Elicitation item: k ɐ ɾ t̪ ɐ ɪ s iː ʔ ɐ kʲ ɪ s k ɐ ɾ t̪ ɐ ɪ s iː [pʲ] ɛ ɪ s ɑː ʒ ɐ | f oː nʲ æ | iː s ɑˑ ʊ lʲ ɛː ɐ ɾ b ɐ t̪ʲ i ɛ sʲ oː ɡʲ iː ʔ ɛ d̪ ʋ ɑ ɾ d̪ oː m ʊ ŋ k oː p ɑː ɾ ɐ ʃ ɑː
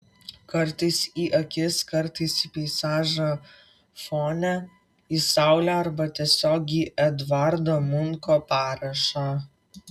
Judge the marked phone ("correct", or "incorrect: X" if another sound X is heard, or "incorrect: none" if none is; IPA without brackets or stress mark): correct